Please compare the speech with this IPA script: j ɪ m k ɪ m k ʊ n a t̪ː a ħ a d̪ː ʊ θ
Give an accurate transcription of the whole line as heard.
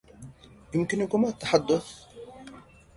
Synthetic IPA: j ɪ m k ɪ n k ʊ m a t̪ː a ħ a d̪ː ʊ θ